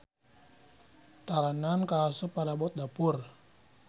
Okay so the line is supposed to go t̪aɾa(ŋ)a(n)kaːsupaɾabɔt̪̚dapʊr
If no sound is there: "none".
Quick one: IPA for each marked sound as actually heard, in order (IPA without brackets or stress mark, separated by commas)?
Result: n, n